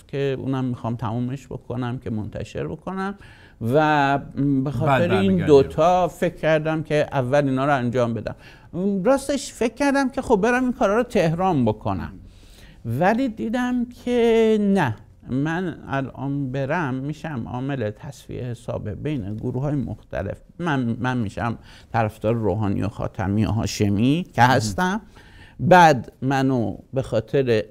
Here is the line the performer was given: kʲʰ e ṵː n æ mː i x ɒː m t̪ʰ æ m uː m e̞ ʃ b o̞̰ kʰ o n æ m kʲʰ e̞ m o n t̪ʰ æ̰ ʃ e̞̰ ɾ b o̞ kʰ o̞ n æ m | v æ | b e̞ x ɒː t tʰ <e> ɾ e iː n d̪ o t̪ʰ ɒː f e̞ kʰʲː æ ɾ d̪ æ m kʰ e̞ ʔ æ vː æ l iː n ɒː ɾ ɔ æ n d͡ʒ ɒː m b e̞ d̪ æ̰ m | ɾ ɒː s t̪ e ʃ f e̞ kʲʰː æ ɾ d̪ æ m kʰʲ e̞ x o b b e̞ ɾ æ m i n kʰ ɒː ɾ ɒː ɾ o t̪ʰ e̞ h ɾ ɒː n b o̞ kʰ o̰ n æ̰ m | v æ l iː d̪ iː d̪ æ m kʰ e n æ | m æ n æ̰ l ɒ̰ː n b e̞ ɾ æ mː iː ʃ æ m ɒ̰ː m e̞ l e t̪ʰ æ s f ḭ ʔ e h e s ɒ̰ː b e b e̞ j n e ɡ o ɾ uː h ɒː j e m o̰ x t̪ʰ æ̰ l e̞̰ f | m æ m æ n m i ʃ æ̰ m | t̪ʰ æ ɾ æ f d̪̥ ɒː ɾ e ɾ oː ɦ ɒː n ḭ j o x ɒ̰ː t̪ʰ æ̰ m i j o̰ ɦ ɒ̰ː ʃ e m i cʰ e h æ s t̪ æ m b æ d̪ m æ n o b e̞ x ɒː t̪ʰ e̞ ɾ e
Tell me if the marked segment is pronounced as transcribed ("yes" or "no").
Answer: yes